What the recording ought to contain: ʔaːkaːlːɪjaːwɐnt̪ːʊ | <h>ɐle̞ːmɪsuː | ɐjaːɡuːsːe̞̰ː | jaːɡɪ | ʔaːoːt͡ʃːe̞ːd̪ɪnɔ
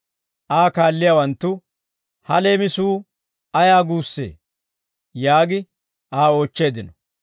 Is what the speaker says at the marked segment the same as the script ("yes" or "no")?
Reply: yes